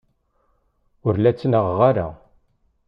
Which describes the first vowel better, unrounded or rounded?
rounded